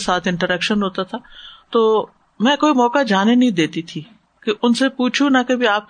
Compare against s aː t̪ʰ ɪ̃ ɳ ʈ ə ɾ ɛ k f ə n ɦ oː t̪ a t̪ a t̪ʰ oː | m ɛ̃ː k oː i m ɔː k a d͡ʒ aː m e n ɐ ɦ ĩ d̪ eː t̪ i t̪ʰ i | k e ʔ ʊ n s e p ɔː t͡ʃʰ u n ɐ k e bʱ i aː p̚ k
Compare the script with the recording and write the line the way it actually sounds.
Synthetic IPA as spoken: s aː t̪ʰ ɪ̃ ɳ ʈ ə ɾ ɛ k ʃ ə n ɦ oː t̪ a t̪ʰ a t̪ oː | m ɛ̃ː k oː i m ɔː k a d͡ʒ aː n e n ɐ ɦ ĩ d̪ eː t̪ i t̪ʰ i | k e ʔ ʊ n s e p uː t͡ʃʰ u n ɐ k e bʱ i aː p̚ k